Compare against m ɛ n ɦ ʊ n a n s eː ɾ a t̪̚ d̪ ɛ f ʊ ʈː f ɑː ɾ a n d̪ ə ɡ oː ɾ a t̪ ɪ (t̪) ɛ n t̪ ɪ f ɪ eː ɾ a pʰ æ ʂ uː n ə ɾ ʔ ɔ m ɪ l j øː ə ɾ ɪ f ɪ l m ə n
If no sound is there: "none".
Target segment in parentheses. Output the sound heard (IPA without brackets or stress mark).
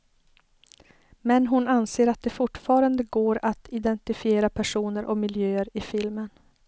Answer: d̪